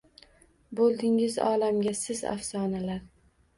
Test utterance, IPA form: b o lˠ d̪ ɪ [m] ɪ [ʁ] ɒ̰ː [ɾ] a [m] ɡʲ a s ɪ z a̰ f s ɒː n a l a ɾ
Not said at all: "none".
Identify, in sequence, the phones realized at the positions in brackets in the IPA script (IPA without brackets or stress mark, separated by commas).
ŋ, z, l, m